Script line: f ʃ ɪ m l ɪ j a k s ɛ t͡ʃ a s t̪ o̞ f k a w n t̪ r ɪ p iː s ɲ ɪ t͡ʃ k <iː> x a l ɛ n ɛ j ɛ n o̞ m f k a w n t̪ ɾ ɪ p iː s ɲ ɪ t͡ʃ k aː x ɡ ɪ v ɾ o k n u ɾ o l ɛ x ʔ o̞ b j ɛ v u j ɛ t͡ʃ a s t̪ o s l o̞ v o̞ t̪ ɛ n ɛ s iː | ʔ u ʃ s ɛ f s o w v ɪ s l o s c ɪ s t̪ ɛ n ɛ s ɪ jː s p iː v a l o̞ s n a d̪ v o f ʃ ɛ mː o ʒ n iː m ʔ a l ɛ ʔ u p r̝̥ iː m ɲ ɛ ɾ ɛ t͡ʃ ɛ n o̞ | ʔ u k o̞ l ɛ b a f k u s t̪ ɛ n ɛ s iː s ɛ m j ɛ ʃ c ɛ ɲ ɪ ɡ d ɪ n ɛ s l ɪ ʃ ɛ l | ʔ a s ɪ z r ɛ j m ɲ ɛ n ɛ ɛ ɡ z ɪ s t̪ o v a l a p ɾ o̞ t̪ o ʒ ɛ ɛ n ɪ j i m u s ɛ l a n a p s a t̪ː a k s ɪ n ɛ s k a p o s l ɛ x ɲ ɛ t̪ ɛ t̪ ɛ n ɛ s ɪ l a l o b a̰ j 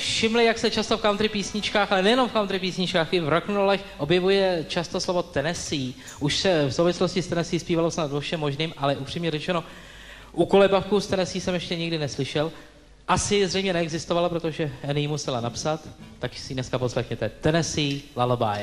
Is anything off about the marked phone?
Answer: yes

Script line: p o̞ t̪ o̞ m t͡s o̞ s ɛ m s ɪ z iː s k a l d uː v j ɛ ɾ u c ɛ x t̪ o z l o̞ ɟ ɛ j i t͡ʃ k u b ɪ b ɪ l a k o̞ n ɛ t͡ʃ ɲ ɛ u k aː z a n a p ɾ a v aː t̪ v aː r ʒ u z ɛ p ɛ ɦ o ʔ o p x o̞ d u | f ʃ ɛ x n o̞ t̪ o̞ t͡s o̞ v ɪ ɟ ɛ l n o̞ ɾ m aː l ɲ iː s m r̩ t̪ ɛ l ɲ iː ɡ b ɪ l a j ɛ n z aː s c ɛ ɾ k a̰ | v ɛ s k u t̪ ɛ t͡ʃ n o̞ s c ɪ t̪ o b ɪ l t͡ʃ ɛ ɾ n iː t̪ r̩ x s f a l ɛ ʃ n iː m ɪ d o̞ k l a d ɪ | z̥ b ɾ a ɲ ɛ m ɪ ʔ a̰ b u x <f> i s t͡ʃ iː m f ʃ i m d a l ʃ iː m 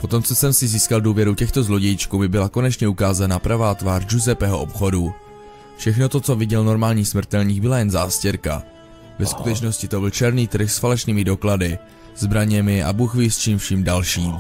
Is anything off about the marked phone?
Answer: yes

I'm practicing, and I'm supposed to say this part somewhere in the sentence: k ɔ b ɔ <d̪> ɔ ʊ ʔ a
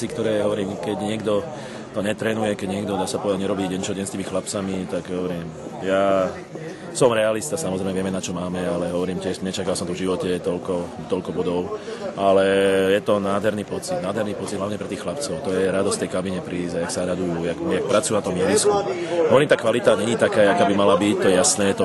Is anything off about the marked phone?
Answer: no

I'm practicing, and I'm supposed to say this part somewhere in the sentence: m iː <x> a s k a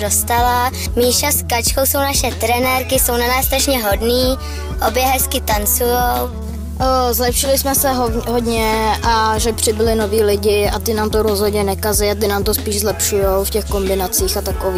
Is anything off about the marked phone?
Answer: yes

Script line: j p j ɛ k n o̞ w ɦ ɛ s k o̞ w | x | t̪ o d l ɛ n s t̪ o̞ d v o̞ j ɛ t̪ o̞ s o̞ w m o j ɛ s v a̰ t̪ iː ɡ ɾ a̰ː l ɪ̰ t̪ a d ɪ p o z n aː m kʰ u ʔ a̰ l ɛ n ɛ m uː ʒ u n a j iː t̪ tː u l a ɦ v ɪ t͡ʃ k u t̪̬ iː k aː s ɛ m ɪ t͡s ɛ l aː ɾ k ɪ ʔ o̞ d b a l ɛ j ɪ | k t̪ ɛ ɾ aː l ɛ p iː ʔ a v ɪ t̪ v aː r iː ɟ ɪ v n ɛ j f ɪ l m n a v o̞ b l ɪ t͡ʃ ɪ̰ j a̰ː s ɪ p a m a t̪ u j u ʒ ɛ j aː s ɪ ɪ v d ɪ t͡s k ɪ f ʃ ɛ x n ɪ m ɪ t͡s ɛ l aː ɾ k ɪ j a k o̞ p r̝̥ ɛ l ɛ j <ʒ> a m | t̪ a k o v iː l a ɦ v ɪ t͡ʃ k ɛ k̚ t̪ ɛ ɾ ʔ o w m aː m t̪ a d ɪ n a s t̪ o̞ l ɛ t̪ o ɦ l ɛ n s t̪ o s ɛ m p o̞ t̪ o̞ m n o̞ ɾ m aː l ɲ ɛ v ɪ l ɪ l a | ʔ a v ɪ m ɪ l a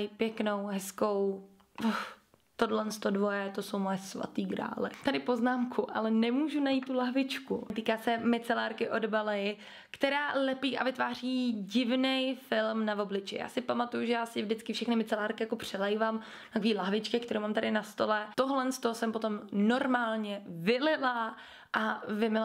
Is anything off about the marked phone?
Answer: yes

